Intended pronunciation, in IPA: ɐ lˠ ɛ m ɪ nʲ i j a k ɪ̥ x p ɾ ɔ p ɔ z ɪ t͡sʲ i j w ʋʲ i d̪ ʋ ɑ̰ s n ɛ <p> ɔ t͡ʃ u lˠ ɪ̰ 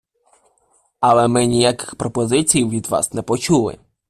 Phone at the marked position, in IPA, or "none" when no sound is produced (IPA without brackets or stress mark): p